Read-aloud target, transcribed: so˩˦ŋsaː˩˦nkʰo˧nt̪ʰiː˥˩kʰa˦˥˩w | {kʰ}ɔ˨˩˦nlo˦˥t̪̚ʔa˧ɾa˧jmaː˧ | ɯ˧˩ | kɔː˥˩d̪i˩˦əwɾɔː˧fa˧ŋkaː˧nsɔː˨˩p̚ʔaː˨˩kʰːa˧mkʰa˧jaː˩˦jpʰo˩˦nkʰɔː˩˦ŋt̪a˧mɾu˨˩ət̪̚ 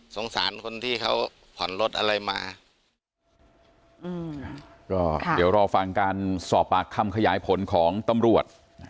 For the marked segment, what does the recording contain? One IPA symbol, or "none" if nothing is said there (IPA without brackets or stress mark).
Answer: pʰ